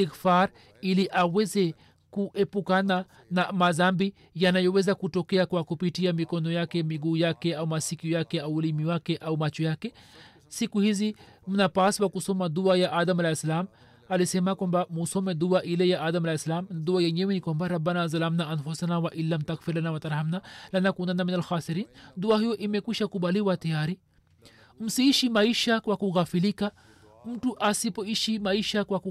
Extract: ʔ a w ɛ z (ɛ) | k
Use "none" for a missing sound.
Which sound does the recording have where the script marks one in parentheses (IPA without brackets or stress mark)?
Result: ɛ